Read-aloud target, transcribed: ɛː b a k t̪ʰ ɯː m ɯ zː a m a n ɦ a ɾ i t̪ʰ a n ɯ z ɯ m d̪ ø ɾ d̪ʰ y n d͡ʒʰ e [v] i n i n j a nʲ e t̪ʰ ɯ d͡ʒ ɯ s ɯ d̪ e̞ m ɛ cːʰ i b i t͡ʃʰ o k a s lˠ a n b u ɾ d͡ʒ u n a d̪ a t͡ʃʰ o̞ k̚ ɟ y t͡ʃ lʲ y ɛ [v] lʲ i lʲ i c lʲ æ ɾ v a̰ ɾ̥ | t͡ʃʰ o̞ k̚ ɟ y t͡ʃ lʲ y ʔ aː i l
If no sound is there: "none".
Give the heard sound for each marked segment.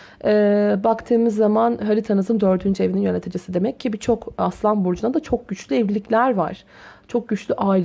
v, v

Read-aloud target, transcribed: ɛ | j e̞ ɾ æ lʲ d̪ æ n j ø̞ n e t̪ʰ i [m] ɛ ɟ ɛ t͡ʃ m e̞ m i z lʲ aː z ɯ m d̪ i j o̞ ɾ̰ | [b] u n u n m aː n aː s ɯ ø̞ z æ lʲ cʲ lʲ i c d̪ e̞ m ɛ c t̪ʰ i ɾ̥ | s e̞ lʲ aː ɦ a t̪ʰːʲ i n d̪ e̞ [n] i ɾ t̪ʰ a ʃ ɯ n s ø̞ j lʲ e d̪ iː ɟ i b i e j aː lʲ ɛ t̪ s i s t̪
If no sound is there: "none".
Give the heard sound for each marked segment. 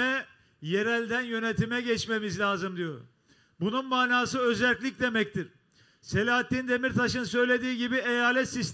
m, b, m

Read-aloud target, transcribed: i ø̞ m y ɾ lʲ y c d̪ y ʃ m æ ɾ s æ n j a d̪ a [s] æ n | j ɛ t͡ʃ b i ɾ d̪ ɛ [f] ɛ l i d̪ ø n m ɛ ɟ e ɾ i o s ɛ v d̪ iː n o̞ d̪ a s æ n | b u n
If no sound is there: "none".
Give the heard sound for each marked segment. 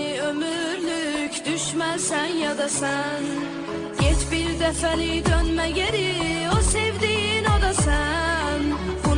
s, f

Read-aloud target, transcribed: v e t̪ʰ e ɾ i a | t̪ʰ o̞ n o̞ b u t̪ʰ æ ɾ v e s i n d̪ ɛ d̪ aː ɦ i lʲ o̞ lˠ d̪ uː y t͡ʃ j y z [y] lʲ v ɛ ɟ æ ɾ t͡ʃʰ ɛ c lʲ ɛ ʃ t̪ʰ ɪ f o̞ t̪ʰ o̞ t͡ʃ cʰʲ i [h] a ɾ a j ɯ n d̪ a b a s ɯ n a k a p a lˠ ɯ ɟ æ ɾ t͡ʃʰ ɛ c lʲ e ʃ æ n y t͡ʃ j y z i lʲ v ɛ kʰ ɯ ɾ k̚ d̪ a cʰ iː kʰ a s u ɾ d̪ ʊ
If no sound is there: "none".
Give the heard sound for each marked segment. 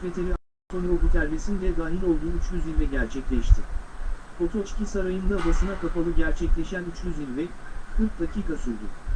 i, s

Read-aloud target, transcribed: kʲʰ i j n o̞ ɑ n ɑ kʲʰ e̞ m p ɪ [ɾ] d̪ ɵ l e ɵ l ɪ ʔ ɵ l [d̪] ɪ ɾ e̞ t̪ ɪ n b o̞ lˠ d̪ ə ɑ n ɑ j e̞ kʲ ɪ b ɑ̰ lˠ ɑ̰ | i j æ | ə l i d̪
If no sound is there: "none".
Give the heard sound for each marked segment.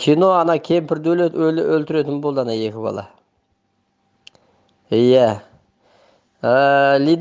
ɾ, t̪

